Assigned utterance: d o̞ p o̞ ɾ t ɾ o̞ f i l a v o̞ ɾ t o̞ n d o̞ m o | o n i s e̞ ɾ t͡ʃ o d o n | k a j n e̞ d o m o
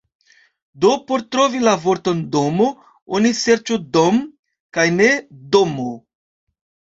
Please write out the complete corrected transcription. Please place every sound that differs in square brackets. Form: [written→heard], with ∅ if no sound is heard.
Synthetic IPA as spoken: d o̞ p o̞ ɾ t ɾ o̞ [f→v] i l a v o̞ ɾ t o̞ n d o̞ m o | o n i s e̞ ɾ t͡ʃ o d o [n→m] | k a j n e̞ d o m o